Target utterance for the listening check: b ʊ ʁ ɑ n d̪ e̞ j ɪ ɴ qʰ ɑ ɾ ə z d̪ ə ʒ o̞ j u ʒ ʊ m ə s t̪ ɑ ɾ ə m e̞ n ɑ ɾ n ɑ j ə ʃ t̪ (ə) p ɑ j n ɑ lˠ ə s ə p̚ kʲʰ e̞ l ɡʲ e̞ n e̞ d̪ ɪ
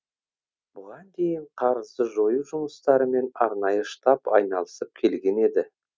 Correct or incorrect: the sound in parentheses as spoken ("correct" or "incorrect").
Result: incorrect